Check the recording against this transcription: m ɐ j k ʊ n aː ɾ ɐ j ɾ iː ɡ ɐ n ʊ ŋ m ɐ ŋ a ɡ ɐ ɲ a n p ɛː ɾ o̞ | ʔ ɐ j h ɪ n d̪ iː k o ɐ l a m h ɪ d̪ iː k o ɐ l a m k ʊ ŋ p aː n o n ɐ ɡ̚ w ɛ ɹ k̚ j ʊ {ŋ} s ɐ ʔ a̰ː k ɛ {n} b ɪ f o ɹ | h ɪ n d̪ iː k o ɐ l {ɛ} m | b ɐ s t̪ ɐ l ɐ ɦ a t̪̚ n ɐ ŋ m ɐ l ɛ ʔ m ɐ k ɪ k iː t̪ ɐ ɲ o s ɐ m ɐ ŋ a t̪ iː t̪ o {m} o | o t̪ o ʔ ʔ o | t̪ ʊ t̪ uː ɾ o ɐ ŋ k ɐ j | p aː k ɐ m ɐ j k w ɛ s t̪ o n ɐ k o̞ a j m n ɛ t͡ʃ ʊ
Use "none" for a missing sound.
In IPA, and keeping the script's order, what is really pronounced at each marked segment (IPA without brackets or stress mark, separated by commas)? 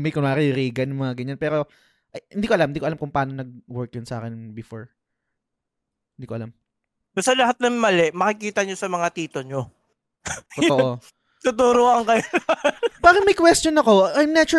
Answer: n, n, a, ɲ